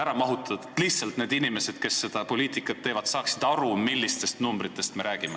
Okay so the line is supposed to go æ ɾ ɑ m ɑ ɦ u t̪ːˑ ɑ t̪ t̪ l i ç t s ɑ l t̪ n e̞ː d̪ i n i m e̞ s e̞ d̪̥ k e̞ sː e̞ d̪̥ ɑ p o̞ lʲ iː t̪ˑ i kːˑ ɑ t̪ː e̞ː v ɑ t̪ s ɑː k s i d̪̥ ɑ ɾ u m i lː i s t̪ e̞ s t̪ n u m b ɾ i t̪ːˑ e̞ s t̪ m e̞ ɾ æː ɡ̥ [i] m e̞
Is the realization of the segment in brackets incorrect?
no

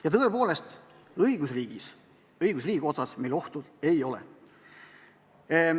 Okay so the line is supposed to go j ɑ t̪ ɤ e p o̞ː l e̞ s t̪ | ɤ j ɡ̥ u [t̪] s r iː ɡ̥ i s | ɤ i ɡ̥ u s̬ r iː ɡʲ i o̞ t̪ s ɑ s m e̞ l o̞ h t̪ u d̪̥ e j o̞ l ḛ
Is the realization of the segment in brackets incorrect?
yes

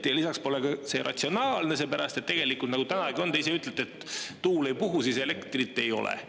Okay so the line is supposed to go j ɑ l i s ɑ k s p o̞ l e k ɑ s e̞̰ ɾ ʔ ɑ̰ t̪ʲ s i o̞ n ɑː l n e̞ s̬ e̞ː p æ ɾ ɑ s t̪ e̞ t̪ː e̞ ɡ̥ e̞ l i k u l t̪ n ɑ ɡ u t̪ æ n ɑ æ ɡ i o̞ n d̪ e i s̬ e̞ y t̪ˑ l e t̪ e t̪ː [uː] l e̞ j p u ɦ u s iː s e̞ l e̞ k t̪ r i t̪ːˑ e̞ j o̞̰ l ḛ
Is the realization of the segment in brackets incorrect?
no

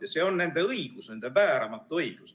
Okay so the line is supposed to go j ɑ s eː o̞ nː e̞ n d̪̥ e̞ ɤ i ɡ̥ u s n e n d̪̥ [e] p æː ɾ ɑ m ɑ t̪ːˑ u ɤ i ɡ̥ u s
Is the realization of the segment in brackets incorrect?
no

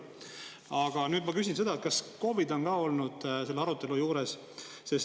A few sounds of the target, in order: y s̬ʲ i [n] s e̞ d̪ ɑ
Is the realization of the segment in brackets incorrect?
no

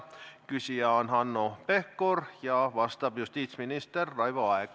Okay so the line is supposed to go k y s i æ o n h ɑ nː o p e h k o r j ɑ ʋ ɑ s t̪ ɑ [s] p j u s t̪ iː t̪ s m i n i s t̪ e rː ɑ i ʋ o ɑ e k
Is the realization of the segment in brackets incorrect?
yes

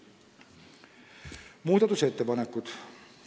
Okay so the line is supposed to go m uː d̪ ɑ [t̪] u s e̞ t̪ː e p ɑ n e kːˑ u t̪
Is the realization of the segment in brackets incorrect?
no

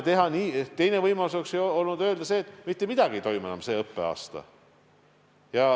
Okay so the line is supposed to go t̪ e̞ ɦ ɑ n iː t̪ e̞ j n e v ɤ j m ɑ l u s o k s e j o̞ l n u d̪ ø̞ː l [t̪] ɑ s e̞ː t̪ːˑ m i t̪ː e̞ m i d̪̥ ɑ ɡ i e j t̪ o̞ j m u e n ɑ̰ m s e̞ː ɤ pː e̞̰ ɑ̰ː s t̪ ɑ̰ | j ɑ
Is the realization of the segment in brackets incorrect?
yes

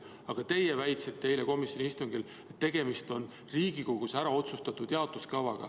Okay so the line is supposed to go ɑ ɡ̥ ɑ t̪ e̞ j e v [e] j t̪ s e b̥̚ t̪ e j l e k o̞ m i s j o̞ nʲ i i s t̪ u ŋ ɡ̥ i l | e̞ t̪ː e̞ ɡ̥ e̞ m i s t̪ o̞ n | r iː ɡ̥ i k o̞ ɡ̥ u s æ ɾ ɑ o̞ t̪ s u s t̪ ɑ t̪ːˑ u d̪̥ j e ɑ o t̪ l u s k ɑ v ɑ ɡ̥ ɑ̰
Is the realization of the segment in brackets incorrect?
yes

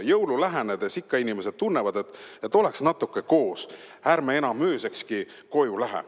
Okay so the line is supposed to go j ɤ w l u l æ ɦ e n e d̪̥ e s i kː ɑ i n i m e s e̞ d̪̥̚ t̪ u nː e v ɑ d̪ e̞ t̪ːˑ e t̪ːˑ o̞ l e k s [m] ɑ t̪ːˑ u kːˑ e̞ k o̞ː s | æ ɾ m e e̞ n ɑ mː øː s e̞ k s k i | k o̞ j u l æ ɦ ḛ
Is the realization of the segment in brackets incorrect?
yes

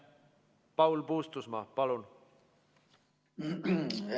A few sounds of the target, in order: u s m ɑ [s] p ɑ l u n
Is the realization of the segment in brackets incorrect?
yes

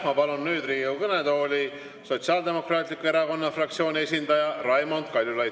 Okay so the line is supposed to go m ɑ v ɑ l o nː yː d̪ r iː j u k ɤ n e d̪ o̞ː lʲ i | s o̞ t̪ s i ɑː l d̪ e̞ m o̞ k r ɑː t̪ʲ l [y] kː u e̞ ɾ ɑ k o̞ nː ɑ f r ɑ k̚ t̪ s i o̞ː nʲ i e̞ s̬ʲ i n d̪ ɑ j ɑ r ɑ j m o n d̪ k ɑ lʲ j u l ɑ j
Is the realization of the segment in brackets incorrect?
yes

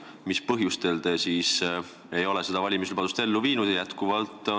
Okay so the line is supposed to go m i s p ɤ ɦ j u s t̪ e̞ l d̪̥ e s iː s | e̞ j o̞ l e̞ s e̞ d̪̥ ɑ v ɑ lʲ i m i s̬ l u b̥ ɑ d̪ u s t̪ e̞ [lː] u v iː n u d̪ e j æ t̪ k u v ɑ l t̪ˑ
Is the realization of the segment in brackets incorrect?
no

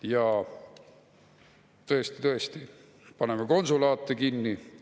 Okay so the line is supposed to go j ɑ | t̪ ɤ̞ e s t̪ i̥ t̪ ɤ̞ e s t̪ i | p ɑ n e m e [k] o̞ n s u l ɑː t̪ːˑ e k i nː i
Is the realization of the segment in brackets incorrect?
no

